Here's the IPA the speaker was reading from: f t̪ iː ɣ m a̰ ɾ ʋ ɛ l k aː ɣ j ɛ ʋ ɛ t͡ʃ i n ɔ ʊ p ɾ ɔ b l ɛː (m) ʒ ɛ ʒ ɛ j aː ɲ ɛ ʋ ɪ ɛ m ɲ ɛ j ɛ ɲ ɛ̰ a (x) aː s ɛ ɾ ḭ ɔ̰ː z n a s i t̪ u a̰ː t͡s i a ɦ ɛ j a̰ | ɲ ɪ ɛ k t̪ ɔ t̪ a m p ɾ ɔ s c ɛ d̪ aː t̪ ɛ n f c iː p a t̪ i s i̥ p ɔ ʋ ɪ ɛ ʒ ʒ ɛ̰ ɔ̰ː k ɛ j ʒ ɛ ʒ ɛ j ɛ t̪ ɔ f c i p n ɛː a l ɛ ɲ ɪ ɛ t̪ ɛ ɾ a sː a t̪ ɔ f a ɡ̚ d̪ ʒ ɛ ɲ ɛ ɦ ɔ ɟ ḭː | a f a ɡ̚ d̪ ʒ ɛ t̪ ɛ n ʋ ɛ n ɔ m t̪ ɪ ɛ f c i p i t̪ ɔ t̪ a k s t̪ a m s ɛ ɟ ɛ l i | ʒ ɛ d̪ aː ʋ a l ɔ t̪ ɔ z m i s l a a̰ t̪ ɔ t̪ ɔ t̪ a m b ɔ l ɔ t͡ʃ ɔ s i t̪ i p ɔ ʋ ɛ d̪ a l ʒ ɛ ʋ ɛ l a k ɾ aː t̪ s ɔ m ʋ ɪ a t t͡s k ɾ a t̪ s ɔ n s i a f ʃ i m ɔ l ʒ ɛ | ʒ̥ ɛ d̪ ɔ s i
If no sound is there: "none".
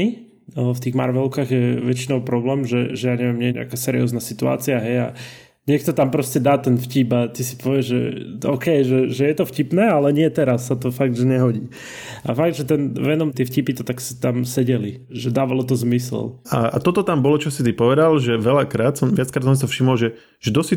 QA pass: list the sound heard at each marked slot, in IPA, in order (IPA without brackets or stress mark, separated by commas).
m, k